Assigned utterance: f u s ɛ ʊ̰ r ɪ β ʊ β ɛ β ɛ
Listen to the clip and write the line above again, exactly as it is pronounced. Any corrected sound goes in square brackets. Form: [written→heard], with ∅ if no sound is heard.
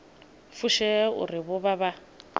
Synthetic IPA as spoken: f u [s→ʃ] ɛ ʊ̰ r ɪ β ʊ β [ɛ→a] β [ɛ→a]